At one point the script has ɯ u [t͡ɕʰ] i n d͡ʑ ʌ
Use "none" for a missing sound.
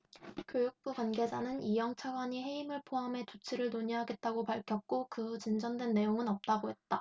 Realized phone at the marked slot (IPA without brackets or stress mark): t͡ɕ